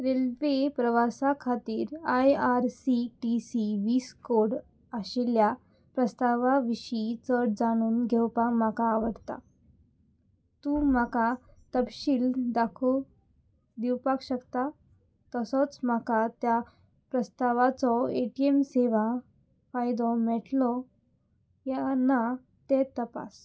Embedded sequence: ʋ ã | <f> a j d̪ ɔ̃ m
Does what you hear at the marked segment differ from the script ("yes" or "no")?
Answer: no